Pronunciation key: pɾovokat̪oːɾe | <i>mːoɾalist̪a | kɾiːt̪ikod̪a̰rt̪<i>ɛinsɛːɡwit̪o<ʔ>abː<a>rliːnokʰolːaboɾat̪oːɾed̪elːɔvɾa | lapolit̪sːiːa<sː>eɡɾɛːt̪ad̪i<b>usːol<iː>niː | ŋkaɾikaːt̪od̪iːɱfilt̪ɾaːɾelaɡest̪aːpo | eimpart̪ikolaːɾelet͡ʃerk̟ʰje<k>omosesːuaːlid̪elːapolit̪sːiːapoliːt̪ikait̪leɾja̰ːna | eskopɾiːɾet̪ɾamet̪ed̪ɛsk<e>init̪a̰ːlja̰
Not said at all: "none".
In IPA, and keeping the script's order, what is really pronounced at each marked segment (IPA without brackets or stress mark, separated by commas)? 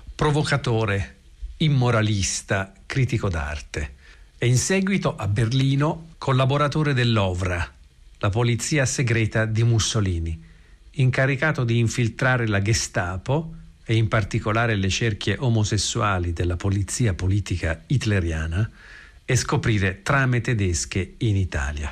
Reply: i, e, ʔ, e, s, m, iː, ʔ, e